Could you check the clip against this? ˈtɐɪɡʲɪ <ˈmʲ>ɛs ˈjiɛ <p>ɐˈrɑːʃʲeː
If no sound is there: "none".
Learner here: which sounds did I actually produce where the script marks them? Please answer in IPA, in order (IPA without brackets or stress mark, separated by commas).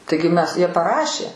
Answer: mʲ, p